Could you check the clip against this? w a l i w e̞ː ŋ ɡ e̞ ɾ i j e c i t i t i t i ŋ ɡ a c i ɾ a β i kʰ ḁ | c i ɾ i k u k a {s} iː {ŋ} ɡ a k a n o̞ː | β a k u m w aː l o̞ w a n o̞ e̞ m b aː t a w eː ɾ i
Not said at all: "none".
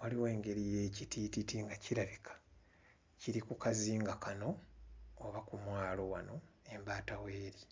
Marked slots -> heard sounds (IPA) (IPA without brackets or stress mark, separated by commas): z, ŋ